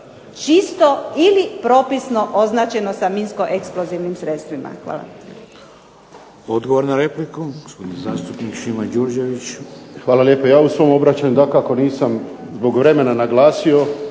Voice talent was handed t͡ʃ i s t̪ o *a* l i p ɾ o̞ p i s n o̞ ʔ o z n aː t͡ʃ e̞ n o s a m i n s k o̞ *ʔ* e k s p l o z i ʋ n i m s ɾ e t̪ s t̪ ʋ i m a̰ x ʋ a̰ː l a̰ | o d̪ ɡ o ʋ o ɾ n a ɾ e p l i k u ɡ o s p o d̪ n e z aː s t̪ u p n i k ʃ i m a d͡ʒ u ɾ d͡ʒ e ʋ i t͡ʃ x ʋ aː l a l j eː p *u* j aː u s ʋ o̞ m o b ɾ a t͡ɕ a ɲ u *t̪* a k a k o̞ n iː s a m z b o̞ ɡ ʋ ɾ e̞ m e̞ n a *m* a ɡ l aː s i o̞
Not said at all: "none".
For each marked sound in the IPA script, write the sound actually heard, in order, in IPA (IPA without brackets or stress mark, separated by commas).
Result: i, ʔ, o, d̪, n